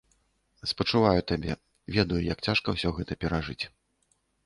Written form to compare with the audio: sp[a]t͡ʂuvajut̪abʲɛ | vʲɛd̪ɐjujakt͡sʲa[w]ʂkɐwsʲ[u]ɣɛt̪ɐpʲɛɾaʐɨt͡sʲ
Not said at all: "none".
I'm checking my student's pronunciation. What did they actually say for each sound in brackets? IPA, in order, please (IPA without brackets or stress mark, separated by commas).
ɐ, none, ɔ